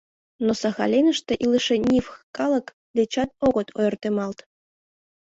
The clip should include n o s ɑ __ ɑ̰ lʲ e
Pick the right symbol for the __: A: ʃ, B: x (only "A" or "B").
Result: B